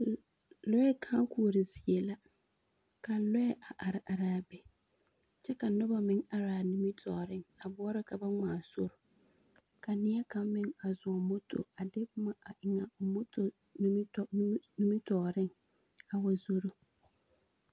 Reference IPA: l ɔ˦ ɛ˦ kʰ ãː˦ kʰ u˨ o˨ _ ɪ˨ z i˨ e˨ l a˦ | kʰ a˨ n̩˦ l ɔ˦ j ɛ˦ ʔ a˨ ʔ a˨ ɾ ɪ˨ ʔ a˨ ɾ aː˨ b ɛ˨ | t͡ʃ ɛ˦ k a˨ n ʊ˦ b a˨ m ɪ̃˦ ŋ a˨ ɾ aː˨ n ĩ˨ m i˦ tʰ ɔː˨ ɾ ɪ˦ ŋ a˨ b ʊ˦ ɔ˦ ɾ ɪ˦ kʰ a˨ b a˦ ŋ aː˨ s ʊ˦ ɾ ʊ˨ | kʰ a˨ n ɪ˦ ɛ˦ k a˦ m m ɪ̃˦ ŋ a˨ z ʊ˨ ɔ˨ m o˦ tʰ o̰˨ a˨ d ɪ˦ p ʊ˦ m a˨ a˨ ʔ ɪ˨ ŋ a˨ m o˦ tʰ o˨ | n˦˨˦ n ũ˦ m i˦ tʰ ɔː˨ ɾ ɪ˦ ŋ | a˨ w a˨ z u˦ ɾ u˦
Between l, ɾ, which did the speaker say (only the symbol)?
ɾ